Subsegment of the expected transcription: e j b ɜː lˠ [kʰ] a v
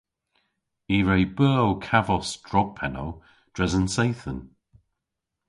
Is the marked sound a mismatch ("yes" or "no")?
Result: no